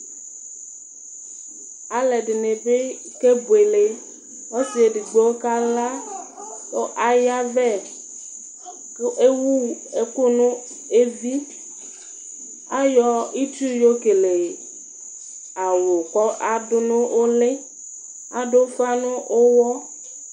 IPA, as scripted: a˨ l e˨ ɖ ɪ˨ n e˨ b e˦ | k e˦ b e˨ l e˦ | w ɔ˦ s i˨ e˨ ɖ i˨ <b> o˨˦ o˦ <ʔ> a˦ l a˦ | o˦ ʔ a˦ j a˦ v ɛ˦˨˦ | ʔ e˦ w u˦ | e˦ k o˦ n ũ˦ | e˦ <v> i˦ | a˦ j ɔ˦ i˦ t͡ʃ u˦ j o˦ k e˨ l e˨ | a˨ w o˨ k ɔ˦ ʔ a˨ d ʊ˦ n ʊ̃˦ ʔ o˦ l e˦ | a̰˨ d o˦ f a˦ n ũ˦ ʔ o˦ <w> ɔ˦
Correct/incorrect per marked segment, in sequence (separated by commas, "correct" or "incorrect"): incorrect, incorrect, correct, correct